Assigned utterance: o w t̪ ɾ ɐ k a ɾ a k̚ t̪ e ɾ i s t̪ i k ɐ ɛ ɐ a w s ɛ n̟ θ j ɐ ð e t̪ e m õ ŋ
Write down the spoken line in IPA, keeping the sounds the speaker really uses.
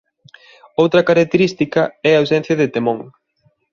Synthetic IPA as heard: o w t̪ ɾ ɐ k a ɾ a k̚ t̪ e ɾ i s t̪ i k ɐ ɛ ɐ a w s ɛ n̟ θ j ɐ ð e t̪ e m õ ŋ